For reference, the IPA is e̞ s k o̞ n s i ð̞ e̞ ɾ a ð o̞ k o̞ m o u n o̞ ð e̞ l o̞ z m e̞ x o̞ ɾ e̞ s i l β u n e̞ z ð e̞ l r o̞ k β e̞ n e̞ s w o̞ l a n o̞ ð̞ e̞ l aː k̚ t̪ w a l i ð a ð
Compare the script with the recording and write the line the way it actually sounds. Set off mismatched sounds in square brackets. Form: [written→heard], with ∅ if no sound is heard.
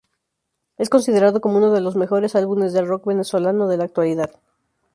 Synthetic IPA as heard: e̞ s k o̞ n s i ð̞ e̞ ɾ a ð o̞ k o̞ m o u n o̞ ð e̞ l o̞ z m e̞ x o̞ ɾ e̞ s [i→a] l β u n e̞ z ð e̞ l r o̞ k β e̞ n e̞ s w o̞ l a n o̞ ð̞ e̞ l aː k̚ t̪ w a l i ð a ð